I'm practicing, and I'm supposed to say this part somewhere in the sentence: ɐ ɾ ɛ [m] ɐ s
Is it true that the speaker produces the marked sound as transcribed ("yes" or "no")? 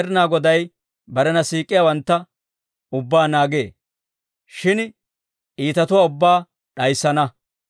no